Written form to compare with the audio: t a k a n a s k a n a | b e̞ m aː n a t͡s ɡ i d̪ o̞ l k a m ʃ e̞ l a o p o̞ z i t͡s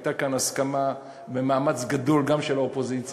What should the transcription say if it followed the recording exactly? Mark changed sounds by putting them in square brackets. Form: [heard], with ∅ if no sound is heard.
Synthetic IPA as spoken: t a k a n a s k a [m] a | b e̞ m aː [m] a t͡s ɡ [a] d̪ o̞ l [ɡ] a m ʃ e̞ l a o p o̞ z i t͡s